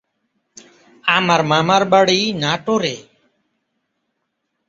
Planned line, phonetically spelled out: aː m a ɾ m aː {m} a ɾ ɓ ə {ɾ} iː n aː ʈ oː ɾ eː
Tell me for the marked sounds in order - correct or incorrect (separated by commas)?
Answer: correct, incorrect